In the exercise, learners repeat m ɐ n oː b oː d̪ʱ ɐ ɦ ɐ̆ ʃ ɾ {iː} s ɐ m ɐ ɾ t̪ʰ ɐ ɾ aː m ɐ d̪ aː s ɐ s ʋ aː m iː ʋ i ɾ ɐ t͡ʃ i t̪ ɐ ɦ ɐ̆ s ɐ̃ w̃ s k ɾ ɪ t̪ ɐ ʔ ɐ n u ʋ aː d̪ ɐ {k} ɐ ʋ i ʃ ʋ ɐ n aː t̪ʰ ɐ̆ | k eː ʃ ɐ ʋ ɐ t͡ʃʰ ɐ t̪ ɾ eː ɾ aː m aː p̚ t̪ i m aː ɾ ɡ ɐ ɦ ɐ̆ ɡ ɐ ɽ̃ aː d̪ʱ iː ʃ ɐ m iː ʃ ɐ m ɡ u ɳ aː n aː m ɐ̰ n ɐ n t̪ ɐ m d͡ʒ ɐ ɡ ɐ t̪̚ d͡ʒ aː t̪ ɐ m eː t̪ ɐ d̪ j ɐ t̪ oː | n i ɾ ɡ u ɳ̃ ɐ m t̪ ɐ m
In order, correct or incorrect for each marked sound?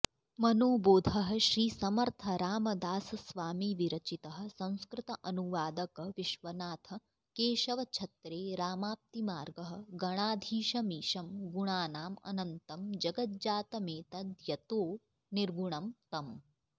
correct, correct

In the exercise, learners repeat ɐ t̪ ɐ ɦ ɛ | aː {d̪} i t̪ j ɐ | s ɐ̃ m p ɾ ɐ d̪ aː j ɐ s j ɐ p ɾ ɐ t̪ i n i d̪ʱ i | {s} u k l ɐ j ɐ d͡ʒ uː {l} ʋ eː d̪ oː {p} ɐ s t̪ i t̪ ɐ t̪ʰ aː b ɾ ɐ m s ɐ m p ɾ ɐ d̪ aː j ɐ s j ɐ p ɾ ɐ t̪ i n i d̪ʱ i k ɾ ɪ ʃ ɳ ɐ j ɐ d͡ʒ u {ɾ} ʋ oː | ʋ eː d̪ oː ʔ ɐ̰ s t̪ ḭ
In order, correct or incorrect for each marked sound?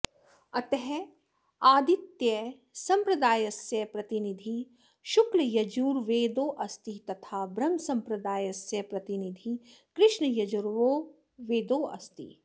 correct, incorrect: ʃ, incorrect: ɾ, incorrect: ʔ, correct

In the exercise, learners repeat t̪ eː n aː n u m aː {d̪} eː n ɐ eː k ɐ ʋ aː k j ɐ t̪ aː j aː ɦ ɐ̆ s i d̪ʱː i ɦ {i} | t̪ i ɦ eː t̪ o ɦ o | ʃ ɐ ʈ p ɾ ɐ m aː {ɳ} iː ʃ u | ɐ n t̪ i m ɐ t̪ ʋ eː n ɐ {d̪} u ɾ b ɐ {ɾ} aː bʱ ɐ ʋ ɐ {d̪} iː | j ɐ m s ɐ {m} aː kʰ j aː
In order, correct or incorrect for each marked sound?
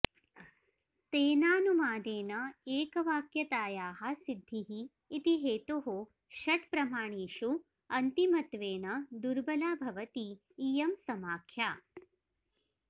correct, incorrect: iː, correct, correct, incorrect: l, incorrect: t̪, correct

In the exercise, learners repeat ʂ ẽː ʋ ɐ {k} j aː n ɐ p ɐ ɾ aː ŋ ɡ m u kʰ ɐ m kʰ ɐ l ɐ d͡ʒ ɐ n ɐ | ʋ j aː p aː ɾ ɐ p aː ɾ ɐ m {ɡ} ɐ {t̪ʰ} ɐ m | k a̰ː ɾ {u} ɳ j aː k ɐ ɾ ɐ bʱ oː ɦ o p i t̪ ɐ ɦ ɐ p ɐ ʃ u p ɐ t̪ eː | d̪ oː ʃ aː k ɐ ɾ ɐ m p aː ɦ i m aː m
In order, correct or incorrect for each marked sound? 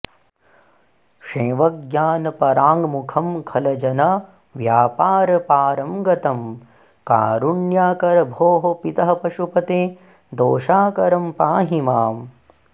incorrect: ɡ, correct, incorrect: t̪, correct

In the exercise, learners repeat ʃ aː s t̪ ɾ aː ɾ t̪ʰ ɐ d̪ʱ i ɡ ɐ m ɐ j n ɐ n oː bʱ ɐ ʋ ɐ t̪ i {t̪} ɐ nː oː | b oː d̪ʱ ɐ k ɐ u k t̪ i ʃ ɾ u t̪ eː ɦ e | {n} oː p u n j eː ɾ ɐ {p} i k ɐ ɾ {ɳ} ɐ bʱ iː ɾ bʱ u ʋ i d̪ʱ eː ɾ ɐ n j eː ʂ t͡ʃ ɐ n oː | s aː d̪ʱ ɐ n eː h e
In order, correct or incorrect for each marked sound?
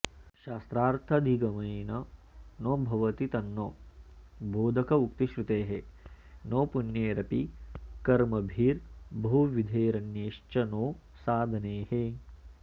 correct, correct, correct, incorrect: m

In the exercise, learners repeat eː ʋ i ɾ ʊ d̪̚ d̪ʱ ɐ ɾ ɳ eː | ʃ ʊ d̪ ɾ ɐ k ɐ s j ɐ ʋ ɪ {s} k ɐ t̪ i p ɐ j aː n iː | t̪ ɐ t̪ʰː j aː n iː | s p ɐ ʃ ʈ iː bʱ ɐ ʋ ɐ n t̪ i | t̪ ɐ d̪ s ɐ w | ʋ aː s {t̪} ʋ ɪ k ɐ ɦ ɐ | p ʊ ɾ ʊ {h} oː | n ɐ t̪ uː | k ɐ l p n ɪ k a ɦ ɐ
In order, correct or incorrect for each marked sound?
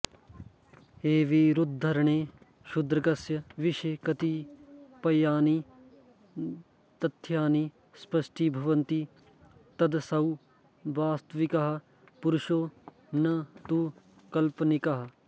incorrect: ʃ, correct, incorrect: ʃ

